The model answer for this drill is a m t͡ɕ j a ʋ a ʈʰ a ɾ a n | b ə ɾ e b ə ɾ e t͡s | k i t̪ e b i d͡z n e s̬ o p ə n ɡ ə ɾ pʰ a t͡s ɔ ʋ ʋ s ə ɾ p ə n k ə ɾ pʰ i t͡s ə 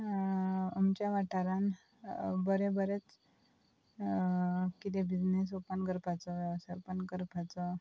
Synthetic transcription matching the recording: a m t͡ɕ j a ʋ a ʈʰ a ɾ a n | b ə ɾ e b ə ɾ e t͡s | k i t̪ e b i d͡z n e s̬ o p ə n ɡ ə ɾ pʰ a t͡s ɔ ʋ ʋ s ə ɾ p ə n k ə ɾ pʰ a t͡s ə